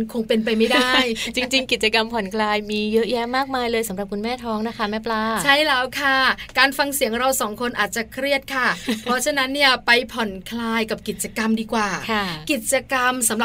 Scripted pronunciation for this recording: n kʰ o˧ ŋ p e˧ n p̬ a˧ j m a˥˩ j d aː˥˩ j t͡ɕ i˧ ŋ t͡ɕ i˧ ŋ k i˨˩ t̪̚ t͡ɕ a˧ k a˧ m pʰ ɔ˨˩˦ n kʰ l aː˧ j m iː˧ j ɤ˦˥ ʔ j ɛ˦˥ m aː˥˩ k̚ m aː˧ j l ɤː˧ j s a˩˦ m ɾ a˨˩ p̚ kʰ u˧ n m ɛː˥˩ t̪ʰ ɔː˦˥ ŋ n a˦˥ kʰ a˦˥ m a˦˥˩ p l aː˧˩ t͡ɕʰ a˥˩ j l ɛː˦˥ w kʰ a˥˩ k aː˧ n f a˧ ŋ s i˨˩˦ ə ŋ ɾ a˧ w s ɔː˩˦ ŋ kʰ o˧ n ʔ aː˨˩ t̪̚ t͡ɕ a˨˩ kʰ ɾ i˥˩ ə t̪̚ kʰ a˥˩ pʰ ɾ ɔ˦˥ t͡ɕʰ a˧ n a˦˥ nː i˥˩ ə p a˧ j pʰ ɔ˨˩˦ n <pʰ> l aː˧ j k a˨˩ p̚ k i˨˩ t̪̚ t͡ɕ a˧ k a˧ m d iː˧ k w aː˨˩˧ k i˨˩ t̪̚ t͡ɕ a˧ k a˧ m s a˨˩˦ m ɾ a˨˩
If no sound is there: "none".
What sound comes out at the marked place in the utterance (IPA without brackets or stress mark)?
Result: kʰ